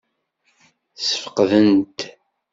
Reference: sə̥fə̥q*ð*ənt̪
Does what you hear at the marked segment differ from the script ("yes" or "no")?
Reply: no